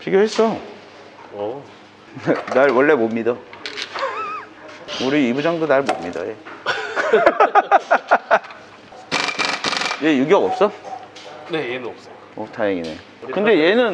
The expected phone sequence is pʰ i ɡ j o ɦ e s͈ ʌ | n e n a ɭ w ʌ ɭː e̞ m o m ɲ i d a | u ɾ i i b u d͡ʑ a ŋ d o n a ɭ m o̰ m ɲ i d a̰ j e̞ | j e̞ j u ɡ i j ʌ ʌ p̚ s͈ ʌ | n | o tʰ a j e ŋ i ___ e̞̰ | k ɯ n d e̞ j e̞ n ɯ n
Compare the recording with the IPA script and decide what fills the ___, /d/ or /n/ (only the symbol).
n